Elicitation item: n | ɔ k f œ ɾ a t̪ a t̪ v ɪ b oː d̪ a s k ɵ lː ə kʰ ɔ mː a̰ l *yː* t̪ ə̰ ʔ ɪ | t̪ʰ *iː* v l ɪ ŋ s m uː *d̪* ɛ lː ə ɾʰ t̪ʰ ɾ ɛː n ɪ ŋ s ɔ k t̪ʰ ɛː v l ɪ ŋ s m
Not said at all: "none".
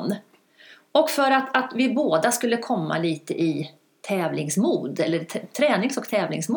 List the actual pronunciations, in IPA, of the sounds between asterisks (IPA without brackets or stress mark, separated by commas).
iː, ɛː, d̪